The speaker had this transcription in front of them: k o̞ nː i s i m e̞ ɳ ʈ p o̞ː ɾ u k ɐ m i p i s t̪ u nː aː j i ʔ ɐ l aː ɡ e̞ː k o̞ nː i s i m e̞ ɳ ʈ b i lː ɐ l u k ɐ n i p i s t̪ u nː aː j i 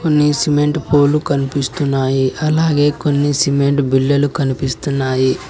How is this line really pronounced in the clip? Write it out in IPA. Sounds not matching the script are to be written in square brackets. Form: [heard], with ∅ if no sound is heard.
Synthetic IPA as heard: k o̞ nː i s i m e̞ ɳ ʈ p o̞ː [l] u k ɐ [n] i p i s t̪ u nː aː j i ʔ ɐ l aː ɡ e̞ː k o̞ nː i s i m e̞ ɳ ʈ b i lː ɐ l u k ɐ n i p i s t̪ u nː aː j i

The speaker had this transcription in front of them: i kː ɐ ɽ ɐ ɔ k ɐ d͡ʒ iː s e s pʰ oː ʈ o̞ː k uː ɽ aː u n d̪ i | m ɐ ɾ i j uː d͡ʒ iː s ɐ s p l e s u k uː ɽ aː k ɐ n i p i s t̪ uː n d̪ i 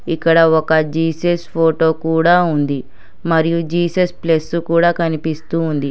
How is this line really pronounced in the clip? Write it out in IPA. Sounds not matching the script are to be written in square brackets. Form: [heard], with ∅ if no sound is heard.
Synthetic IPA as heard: i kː ɐ ɽ ɐ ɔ k ɐ d͡ʒ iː s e s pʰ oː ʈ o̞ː k uː ɽ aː u n d̪ i | m ɐ ɾ i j [u] d͡ʒ iː s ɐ s p l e s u k uː ɽ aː k ɐ n i p i s t̪ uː n d̪ i

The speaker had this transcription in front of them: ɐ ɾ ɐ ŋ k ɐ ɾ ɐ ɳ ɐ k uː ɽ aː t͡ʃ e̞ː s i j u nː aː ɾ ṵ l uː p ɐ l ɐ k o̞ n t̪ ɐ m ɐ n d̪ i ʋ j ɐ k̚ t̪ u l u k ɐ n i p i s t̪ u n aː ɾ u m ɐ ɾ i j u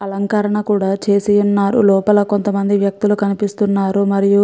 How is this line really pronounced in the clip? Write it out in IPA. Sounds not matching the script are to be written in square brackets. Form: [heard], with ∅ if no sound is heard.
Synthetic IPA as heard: ɐ [l] ɐ ŋ k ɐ ɾ ɐ ɳ ɐ k uː ɽ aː t͡ʃ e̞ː s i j u nː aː ɾ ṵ l [ɔː] p ɐ l ɐ k o̞ n t̪ ɐ m ɐ n d̪ i ʋ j ɐ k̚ t̪ u l u k ɐ n i p i s t̪ u [nː] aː ɾ u m ɐ ɾ i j u

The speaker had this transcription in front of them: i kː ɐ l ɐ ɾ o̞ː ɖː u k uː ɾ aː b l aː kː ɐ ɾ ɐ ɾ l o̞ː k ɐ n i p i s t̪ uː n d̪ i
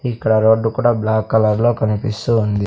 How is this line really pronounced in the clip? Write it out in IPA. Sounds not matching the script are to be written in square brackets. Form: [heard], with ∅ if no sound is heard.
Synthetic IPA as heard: i kː ɐ [ɽ] ɐ ɾ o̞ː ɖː u k uː [ɽ] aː b l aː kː ɐ [l] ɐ ɾ l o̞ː k ɐ n i p i s t̪ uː n d̪ i

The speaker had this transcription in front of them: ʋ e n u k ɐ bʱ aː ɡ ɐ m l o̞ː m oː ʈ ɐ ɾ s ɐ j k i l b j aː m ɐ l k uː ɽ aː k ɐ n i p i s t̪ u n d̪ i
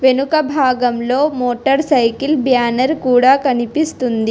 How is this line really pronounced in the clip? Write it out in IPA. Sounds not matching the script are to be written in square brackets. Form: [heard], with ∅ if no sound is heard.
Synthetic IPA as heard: ʋ e n u k ɐ bʱ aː ɡ ɐ m l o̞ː m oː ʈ ɐ ɾ s ɐ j k i l b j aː [n] ɐ [ɾ] k uː ɽ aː k ɐ n i p i s t̪ u n d̪ i

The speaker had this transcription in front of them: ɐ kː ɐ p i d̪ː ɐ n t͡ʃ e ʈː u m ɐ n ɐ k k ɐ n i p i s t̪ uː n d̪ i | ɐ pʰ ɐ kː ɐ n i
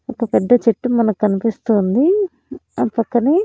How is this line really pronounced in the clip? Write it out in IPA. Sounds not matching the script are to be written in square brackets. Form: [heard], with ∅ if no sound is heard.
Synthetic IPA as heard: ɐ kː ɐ p [ɛ] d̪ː ɐ [∅] t͡ʃ e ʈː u m ɐ n ɐ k k ɐ n i p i s t̪ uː n d̪ i | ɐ [p] ɐ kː ɐ n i

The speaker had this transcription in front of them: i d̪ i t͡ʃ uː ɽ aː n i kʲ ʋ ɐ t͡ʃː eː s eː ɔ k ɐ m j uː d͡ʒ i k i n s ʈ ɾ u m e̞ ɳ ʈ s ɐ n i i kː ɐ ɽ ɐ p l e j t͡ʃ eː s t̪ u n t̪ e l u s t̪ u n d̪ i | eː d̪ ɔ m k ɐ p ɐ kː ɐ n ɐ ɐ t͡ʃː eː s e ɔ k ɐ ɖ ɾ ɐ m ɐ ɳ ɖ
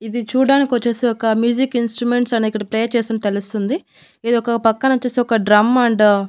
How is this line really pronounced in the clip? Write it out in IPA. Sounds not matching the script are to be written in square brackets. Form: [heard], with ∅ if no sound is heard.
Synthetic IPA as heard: i d̪ i t͡ʃ uː ɽ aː n i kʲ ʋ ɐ t͡ʃː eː s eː ɔ k ɐ m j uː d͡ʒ i k i n s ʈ ɾ u m e̞ ɳ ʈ s ɐ n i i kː ɐ ɽ ɐ p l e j t͡ʃ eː s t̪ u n t̪ e l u s t̪ u n d̪ i | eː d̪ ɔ [∅] k ɐ p ɐ kː ɐ n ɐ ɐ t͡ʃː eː s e ɔ k ɐ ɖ ɾ ɐ m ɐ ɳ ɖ

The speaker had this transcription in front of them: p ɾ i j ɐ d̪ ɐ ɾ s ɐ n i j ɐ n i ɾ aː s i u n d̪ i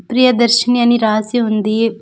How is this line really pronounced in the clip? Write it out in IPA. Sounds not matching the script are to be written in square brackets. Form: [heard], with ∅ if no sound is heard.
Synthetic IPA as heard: p ɾ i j ɐ d̪ ɐ ɾ [ʃ] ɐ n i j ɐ n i ɾ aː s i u n d̪ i

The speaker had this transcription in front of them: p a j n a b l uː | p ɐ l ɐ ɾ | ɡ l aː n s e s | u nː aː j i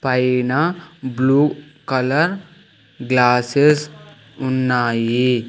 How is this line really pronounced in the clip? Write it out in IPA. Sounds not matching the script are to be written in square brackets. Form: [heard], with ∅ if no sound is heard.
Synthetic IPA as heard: p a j n a b l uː | [k] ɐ l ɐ ɾ | ɡ l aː [∅] s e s | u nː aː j i

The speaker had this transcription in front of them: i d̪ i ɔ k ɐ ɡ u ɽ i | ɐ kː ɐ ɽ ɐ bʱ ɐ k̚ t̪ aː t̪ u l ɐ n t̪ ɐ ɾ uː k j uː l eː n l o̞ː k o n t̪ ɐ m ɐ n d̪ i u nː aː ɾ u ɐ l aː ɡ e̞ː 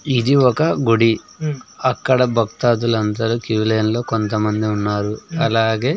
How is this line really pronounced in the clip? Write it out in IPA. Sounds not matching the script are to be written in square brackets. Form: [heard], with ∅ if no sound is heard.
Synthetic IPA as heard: i d̪ i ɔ k ɐ ɡ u ɽ i | ɐ kː ɐ ɽ ɐ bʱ ɐ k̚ t̪ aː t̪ u l ɐ n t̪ ɐ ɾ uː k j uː l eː n l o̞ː k o n t̪ ɐ m ɐ n d̪ i u nː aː ɾ u ɐ l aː ɡ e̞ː

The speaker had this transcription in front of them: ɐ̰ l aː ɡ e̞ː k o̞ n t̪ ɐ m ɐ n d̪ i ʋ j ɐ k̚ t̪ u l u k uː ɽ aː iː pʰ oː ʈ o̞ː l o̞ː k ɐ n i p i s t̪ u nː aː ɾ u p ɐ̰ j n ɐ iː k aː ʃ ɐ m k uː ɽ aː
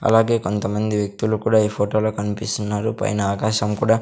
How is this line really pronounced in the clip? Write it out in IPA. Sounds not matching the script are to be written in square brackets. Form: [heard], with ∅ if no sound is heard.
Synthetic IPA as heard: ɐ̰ l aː ɡ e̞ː k o̞ n t̪ ɐ m ɐ n d̪ i ʋ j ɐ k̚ t̪ u l u k uː ɽ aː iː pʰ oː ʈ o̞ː l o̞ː k ɐ n i p i s t̪ u nː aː ɾ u p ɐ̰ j n ɐ [aː] k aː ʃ ɐ m k uː ɽ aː

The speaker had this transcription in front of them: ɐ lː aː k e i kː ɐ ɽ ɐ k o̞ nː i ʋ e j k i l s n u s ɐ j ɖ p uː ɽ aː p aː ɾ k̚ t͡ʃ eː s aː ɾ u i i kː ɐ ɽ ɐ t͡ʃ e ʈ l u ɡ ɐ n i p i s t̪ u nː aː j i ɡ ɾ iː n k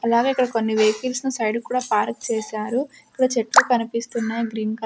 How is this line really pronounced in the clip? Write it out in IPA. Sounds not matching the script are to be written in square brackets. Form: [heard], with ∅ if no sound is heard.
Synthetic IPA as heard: ɐ [l] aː [ɡ] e i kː ɐ ɽ ɐ k o̞ nː i ʋ e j k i l s n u s ɐ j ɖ [k] uː ɽ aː p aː ɾ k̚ t͡ʃ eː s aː ɾ u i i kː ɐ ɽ ɐ t͡ʃ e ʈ l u [k] ɐ n i p i s t̪ u nː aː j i ɡ ɾ iː n k

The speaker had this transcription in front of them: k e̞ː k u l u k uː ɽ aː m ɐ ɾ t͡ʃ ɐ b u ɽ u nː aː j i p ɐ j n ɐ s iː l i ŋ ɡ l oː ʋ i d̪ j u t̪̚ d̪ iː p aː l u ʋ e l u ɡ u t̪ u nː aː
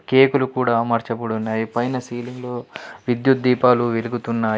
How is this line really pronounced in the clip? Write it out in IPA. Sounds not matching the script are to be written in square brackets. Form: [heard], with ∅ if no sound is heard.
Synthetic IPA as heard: k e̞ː k u l u k uː ɽ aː m ɐ ɾ t͡ʃ ɐ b u ɽ u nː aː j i p ɐ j n ɐ s iː l i ŋ ɡ l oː ʋ i d̪ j u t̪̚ d̪ iː p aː l u ʋ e l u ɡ u t̪ u nː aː

